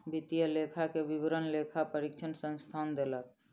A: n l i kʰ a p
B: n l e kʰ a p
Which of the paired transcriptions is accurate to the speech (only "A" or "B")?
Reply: B